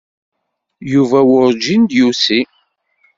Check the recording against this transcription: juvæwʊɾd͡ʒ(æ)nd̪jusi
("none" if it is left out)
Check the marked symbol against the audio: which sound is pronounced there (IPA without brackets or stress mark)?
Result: i